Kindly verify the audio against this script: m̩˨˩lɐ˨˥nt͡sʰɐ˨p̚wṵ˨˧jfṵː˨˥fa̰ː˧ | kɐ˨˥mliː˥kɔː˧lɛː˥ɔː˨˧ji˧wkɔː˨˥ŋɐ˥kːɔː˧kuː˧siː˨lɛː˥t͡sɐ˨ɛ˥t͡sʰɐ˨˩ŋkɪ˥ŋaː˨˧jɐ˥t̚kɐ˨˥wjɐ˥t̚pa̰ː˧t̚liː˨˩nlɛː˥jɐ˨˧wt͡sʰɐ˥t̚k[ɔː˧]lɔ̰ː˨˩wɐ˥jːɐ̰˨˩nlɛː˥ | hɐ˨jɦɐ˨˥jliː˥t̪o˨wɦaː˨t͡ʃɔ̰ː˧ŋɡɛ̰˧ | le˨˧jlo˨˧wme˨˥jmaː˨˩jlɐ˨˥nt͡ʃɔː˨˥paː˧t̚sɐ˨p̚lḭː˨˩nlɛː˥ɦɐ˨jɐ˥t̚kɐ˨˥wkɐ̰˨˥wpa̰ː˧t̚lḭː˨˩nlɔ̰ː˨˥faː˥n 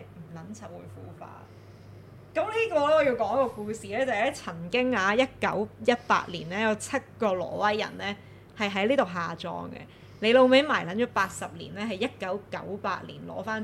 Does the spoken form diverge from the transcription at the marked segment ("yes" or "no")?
no